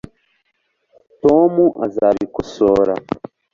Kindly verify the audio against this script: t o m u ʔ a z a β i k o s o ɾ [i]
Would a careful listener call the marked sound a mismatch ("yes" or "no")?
yes